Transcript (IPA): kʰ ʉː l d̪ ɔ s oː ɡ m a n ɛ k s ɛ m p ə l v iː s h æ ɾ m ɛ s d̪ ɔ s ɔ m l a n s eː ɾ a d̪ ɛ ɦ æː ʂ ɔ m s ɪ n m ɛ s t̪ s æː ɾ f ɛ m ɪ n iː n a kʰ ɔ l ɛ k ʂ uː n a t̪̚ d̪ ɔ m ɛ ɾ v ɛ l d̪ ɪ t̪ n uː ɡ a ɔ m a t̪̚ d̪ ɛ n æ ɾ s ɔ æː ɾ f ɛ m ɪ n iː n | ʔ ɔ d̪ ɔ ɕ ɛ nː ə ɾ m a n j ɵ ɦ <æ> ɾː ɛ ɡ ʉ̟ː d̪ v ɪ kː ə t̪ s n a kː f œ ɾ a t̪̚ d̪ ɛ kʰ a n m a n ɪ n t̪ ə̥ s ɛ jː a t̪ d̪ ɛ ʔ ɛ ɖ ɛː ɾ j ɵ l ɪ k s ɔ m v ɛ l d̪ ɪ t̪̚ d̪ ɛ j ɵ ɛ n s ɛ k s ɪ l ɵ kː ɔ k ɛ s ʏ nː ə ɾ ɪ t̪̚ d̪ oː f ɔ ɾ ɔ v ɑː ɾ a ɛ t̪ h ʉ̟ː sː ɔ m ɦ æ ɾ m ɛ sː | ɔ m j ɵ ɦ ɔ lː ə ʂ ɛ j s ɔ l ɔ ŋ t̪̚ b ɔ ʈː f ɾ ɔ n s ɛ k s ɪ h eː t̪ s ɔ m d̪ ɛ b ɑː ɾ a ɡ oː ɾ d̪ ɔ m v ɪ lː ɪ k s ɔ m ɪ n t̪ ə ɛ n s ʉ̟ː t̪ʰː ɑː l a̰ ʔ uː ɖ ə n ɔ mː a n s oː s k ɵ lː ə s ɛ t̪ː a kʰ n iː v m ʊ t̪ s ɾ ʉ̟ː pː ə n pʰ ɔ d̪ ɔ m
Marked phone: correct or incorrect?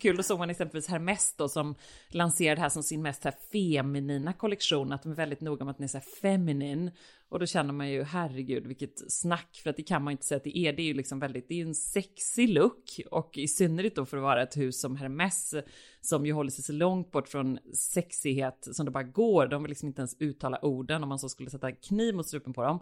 correct